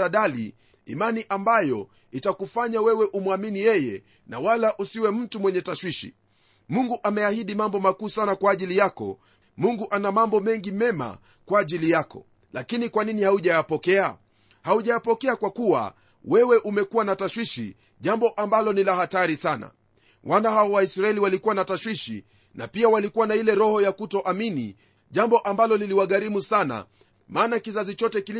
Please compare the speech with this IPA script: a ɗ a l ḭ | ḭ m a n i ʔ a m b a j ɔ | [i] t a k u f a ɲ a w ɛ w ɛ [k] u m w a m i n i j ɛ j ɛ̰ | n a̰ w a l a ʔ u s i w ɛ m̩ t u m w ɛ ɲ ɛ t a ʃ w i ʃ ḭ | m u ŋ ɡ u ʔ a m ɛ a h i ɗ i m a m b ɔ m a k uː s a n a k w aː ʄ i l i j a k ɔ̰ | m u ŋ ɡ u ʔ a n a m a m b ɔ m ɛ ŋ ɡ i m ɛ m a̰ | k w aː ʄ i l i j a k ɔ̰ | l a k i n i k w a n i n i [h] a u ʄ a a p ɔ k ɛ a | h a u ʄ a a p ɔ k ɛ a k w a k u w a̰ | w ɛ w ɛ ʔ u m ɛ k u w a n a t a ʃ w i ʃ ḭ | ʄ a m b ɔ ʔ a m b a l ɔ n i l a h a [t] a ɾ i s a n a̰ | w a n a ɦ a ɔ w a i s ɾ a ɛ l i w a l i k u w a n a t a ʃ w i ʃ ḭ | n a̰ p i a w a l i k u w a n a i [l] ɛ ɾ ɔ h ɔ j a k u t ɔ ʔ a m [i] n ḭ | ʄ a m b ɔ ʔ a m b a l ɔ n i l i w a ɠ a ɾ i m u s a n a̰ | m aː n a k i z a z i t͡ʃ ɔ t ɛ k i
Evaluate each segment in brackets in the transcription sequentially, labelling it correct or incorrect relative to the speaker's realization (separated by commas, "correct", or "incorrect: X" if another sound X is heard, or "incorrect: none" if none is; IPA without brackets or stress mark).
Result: correct, incorrect: ʔ, correct, correct, correct, correct